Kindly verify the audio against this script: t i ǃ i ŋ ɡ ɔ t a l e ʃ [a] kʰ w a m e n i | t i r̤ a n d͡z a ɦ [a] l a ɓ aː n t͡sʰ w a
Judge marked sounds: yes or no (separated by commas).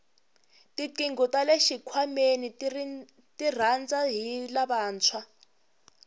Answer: no, no